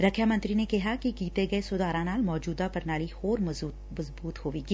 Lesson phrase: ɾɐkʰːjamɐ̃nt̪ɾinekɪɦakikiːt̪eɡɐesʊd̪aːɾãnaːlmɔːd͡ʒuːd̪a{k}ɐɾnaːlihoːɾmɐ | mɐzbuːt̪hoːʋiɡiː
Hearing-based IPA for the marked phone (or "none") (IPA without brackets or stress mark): p